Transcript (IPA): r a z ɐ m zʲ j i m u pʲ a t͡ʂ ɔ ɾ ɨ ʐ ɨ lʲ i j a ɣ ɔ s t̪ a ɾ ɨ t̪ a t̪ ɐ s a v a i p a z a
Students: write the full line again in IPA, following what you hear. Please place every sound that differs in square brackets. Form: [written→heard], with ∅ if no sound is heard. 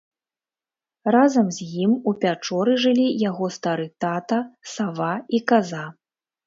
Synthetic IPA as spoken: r a z ɐ m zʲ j i m u pʲ a t͡ʂ ɔ ɾ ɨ ʐ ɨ lʲ i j a ɣ ɔ s t̪ a ɾ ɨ t̪ a t̪ ɐ s a v a i [p→k] a z a